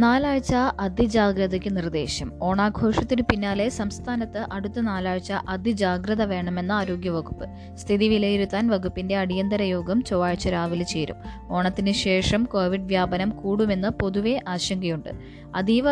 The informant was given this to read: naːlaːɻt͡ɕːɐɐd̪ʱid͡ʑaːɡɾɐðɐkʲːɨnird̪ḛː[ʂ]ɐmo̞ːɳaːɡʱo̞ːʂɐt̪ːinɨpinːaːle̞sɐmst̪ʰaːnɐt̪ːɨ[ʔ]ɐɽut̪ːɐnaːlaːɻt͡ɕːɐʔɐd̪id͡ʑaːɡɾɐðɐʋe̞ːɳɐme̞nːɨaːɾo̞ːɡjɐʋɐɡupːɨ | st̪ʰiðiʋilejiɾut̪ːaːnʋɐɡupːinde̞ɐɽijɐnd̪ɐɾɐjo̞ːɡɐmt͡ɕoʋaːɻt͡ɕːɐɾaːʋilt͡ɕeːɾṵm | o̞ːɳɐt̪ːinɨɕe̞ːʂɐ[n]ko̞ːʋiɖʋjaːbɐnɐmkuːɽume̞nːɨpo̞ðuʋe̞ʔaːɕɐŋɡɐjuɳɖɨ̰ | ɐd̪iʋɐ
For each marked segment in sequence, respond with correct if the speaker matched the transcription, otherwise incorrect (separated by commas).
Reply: incorrect, correct, incorrect